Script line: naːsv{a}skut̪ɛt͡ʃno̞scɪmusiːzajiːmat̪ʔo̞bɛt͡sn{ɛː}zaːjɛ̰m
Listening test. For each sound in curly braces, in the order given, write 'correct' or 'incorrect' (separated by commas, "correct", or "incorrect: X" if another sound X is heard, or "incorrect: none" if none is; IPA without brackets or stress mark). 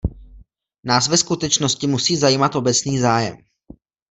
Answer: incorrect: ɛ, incorrect: iː